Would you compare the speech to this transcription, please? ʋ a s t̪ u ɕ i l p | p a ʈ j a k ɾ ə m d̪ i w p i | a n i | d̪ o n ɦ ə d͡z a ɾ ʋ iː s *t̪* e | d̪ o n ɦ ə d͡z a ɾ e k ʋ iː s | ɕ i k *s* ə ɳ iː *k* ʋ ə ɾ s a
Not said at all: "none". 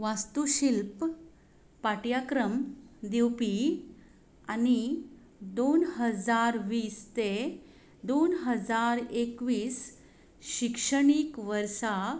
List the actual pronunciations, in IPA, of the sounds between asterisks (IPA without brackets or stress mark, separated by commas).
t̪, ʂ, k